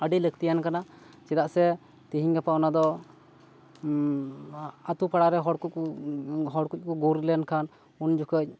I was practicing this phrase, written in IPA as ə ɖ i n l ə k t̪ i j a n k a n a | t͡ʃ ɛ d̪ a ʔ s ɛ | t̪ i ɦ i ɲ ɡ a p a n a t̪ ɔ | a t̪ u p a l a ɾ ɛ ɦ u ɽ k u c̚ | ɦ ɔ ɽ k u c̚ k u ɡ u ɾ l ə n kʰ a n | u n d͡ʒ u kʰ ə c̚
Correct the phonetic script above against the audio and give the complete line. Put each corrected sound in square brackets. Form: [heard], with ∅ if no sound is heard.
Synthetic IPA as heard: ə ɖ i [∅] l ə k t̪ i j a n k a n a | t͡ʃ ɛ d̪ a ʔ s ɛ | t̪ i ɦ i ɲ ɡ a p a n a [d̪] ɔ | a t̪ u p a [ɽ] a ɾ ɛ ɦ [ɔ] ɽ k u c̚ | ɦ ɔ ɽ k u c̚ k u ɡ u ɾ l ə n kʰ a n | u n d͡ʒ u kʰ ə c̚

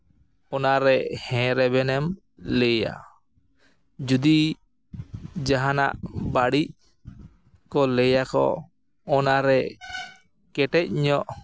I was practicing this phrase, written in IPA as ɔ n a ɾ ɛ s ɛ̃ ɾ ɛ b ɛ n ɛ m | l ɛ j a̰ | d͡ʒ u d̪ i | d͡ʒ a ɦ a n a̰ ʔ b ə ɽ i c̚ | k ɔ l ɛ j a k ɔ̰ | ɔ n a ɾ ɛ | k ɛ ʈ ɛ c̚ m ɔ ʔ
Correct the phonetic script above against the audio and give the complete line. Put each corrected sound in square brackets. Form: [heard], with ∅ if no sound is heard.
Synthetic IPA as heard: ɔ n a ɾ ɛ [h] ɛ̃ ɾ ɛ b ɛ n ɛ m | l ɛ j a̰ | d͡ʒ u d̪ i | d͡ʒ a ɦ a n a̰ ʔ b [a] ɽ i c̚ | k ɔ l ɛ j a k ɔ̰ | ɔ n a ɾ ɛ | k ɛ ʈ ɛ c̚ [ɲ] ɔ ʔ

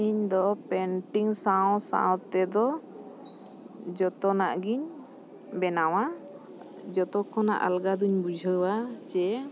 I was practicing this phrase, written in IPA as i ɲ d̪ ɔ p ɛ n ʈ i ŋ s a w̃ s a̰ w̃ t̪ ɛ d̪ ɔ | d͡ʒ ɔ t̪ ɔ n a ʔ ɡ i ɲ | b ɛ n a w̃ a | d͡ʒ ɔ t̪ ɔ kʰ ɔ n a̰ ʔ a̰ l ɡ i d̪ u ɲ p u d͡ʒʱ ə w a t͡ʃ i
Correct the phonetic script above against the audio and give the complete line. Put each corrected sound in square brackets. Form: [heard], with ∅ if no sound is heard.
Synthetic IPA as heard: i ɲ d̪ ɔ p ɛ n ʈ i ŋ s a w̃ s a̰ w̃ t̪ ɛ d̪ ɔ | d͡ʒ ɔ t̪ ɔ n a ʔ ɡ i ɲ | b ɛ n a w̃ a | d͡ʒ ɔ t̪ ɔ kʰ ɔ n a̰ ʔ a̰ l ɡ [a] d̪ u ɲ [b] u d͡ʒʱ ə w a t͡ʃ [ɛ]

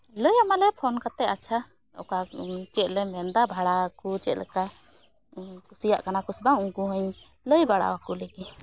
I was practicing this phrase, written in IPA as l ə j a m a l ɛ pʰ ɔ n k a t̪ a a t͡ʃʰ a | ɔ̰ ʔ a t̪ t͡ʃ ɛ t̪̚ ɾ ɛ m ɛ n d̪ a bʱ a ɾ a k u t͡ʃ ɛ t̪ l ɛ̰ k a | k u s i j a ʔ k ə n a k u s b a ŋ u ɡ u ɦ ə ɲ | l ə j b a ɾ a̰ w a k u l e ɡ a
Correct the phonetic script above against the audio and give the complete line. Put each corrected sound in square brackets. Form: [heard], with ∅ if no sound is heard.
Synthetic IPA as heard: l ə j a m a l ɛ pʰ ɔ n k a t̪ [ɛ] a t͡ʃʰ a | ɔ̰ [k] a [∅] t͡ʃ ɛ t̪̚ [l] ɛ m ɛ n d̪ a bʱ a [ɽ] a k u t͡ʃ ɛ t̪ l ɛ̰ k a | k u s i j a ʔ k [a] n a k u s b a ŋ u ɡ u ɦ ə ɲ | l ə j b a [ɽ] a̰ w a k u l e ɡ [i]

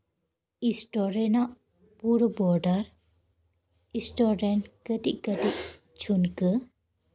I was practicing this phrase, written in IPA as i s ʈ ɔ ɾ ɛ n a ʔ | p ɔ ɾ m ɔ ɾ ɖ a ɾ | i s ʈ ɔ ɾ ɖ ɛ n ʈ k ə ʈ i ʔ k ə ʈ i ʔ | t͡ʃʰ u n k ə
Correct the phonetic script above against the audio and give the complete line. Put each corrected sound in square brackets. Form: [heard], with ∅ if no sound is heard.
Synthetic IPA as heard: i s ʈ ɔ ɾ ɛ n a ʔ | p [u] ɾ [b] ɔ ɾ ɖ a ɾ | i s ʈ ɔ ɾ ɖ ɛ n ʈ k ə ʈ i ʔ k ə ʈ i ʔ | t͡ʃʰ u n k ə

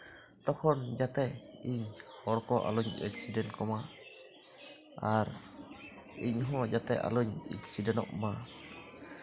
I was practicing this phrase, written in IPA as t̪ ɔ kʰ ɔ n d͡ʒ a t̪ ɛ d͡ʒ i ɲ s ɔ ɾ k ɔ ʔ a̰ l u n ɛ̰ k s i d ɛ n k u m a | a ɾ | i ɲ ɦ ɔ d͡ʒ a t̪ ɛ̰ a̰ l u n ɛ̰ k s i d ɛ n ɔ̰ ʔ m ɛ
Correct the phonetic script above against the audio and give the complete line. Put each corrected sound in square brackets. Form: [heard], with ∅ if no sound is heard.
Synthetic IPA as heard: t̪ ɔ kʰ ɔ n d͡ʒ a t̪ ɛ [∅] i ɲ [h] ɔ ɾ k ɔ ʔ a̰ l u [ɲ] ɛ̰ k s i d ɛ n k [ɔ] m a | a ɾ | i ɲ ɦ ɔ d͡ʒ a t̪ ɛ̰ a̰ l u [ɲ] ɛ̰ k s i d ɛ n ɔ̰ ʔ m [a]

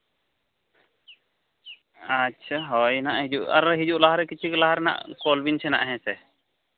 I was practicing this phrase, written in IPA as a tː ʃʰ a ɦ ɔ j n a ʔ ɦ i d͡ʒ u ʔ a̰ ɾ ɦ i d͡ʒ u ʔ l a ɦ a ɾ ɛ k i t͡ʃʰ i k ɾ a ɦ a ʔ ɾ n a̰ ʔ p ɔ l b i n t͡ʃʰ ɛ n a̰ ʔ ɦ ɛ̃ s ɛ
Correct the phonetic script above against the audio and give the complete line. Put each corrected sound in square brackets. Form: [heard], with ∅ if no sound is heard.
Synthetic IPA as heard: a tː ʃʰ a ɦ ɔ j n a ʔ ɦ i d͡ʒ u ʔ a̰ ɾ ɦ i d͡ʒ u ʔ l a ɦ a ɾ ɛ k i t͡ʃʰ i k [l] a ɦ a [∅] ɾ n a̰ ʔ [k] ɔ l b i n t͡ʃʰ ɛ n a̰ ʔ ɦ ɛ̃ s ɛ

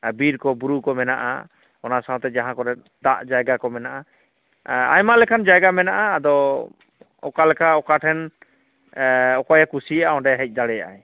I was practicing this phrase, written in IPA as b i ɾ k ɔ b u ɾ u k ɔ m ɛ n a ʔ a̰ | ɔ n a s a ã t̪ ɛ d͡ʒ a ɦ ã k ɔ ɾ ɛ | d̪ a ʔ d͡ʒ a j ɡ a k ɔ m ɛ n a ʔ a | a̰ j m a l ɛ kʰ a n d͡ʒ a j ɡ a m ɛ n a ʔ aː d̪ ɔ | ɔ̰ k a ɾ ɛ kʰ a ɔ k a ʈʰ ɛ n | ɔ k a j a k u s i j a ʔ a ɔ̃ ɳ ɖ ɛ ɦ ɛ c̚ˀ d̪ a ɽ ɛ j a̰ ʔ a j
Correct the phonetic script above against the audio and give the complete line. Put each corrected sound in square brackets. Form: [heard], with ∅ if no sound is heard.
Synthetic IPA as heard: b i ɾ k ɔ b u ɾ u k ɔ m ɛ n a ʔ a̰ | ɔ n a s a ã t̪ ɛ d͡ʒ a ɦ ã k ɔ ɾ ɛ | d̪ a ʔ d͡ʒ a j ɡ a k ɔ m ɛ n a ʔ a | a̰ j m a l ɛ kʰ a n d͡ʒ a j ɡ a m ɛ n a ʔ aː d̪ ɔ | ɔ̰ k a [l] ɛ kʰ a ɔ k a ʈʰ ɛ n | ɔ k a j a k u s i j a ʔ a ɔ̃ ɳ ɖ ɛ ɦ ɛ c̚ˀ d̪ a ɽ ɛ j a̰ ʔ a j

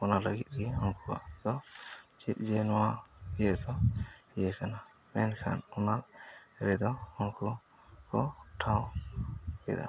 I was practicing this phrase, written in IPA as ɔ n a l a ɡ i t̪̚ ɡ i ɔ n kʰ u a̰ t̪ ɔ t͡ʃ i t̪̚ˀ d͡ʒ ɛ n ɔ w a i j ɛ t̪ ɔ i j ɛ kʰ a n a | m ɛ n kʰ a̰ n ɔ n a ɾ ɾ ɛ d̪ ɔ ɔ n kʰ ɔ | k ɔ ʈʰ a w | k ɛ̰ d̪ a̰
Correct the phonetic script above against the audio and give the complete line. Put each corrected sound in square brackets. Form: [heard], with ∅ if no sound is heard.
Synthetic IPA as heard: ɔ n a l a ɡ i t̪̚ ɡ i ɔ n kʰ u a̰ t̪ ɔ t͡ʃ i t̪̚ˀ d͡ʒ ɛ n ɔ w a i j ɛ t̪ ɔ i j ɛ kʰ a n a | m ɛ n kʰ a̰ n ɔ n a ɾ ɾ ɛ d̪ ɔ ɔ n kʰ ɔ | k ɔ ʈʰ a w | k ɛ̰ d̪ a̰

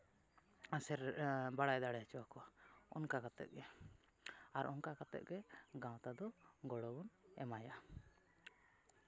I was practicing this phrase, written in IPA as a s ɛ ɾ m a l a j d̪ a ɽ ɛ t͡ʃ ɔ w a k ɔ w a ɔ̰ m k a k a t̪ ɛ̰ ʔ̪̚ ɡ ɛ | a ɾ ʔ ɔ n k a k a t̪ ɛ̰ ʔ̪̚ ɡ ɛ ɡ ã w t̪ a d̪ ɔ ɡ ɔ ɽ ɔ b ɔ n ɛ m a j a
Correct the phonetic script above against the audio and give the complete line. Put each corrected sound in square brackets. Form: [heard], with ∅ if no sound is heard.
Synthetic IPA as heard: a s ɛ ɾ [b] a [ɽ] a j d̪ a ɽ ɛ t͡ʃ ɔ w a k ɔ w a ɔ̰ [n] k a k a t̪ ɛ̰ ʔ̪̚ ɡ ɛ | a ɾ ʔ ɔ n k a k a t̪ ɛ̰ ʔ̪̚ ɡ ɛ ɡ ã w t̪ a d̪ ɔ ɡ ɔ ɽ ɔ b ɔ n ɛ m a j a

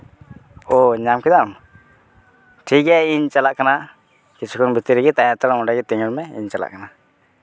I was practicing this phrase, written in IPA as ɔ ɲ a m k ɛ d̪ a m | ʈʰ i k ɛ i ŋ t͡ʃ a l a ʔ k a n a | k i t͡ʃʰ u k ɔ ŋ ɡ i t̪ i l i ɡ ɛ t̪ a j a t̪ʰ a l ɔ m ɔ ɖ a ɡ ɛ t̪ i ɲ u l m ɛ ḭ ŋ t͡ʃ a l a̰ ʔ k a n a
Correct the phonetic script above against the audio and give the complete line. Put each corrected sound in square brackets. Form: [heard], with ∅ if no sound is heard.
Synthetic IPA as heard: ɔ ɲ a m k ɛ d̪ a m | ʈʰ i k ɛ i [ɲ] t͡ʃ a l a ʔ k a n a | k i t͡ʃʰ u k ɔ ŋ [b] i t̪ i [ɾ] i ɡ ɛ t̪ a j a [t̪] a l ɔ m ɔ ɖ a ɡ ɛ t̪ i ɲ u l m ɛ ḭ [ɲ] t͡ʃ a l a̰ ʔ k a n a

